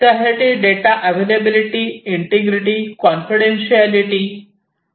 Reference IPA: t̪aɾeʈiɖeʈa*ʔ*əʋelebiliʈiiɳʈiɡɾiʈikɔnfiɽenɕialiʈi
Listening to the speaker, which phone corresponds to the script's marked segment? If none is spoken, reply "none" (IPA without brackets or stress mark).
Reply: ʔ